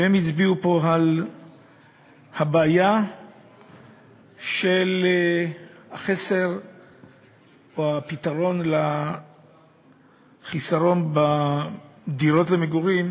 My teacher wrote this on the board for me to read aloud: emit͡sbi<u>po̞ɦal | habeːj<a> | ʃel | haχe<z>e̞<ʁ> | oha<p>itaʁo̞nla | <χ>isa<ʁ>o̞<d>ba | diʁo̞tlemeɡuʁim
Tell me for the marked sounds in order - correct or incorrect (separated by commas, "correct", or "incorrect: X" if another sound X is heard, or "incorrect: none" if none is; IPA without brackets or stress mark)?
correct, correct, incorrect: s, correct, correct, correct, correct, incorrect: n